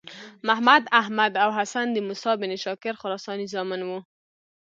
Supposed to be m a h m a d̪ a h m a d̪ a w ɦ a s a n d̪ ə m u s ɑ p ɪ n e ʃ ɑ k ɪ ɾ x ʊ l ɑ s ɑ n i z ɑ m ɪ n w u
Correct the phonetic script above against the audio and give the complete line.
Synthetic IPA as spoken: m a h m a d̪ a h m a d̪ a w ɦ a s a n d̪ ə m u s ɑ b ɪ n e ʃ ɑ k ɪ ɾ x ʊ ɾ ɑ s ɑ n i z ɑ m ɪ n w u